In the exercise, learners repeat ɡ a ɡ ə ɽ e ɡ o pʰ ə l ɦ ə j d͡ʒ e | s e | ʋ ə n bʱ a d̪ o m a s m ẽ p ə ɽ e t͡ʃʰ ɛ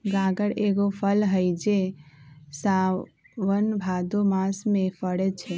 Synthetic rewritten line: ɡ a ɡ ə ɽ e ɡ o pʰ ə l ɦ ə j d͡ʒ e | s a | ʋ ə n bʱ a d̪ o m a s m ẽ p ə ɽ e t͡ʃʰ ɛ